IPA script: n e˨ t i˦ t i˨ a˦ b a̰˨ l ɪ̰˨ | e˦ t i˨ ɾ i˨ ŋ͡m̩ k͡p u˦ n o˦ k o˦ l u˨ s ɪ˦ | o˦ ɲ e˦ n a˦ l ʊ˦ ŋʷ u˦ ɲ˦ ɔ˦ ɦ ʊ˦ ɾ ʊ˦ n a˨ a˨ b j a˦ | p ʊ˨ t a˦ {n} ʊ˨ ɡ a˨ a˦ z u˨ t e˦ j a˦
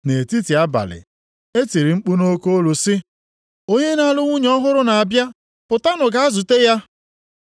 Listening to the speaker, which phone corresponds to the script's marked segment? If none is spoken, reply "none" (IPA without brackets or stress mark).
n